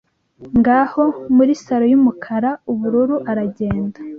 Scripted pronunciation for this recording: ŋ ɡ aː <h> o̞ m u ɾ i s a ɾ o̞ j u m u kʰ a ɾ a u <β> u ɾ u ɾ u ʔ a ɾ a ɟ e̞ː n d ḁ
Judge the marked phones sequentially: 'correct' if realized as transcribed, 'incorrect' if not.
correct, correct

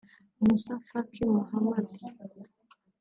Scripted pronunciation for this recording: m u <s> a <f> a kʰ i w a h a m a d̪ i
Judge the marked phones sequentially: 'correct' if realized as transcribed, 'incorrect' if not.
correct, correct

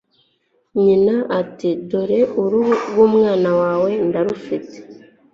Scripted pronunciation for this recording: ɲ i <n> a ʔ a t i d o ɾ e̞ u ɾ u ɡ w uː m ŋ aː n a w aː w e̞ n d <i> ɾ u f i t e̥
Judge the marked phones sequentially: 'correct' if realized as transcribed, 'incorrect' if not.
correct, incorrect: a

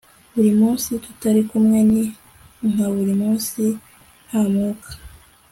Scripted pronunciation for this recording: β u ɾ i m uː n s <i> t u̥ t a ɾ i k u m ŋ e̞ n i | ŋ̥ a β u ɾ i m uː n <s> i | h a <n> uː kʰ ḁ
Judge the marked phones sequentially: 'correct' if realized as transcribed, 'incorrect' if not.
correct, correct, incorrect: m

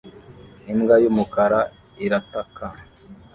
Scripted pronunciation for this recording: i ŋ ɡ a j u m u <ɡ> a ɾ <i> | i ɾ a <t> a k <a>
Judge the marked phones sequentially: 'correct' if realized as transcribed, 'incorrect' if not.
incorrect: k, incorrect: a, correct, correct

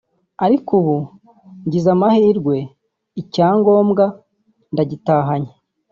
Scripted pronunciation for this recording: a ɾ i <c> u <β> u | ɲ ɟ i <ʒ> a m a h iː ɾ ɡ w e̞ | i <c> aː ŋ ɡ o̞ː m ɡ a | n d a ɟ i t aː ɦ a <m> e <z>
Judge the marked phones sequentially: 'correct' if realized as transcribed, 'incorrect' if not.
incorrect: k, correct, incorrect: z, correct, incorrect: ɲ, incorrect: none

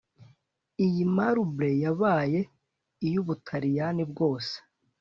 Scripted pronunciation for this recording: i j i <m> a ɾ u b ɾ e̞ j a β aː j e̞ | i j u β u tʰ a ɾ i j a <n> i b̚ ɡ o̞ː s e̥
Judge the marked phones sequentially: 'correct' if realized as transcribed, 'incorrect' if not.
correct, correct

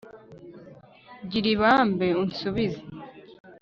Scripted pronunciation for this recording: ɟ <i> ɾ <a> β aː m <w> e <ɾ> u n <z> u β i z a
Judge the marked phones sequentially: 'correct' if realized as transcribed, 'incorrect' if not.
correct, incorrect: i, incorrect: b, incorrect: none, incorrect: s

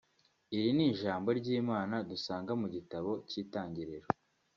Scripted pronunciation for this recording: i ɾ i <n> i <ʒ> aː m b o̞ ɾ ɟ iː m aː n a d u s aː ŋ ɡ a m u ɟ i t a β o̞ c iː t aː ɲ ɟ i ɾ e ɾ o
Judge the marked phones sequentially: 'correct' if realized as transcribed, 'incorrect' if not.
correct, correct

